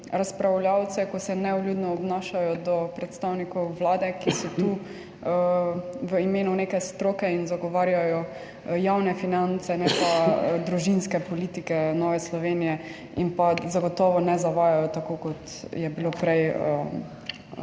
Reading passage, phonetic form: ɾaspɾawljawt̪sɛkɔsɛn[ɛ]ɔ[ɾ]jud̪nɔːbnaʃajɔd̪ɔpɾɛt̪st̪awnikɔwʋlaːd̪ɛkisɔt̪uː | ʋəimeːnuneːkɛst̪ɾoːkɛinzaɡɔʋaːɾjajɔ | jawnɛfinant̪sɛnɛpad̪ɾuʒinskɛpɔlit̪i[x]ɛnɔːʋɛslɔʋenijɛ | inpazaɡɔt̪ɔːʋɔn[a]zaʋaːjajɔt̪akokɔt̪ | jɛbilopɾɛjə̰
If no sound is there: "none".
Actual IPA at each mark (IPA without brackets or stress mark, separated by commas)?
ɛ, l, k, ɛ